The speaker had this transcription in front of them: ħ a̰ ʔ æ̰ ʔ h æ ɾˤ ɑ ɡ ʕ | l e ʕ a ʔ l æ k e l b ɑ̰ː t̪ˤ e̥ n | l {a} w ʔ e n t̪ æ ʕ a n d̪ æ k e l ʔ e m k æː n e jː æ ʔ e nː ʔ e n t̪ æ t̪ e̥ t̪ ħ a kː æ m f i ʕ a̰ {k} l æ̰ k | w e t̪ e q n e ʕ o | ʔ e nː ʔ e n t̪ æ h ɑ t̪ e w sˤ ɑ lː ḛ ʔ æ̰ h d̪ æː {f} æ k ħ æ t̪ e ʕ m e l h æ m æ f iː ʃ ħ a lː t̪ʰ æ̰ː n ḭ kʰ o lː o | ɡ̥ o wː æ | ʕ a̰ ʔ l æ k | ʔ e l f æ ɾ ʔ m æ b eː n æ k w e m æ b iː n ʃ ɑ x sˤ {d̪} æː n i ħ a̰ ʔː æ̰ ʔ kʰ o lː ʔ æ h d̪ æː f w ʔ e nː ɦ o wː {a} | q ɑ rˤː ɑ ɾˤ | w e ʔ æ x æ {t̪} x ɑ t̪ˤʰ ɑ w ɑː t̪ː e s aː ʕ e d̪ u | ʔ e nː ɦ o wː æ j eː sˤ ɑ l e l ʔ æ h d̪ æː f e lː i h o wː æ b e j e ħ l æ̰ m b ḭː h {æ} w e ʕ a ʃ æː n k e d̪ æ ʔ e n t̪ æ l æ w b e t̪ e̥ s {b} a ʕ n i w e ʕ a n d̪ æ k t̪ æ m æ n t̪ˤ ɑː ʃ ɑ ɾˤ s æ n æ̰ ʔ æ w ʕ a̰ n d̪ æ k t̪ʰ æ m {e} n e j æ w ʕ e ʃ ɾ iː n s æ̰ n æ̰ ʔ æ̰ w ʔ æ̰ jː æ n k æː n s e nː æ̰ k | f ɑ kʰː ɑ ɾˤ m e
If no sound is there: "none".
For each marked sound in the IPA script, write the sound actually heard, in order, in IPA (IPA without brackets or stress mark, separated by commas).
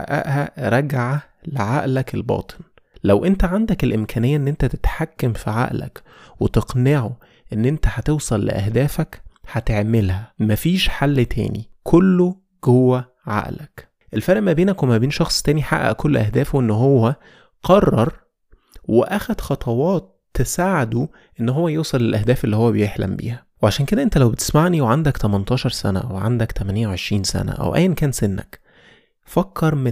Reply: æ, ʔ, f, t̪, æ, d̪, æ, m, æ